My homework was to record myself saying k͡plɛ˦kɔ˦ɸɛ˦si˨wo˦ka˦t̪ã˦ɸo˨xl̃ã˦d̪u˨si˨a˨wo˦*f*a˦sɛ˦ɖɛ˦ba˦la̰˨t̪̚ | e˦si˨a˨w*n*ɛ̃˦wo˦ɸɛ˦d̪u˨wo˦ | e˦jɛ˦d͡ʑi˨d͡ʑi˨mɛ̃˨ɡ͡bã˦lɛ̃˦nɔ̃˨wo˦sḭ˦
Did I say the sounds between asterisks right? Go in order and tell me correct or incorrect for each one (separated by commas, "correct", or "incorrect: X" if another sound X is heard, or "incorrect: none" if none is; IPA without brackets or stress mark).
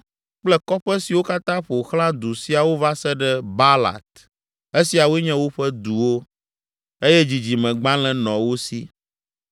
incorrect: v, incorrect: ɲ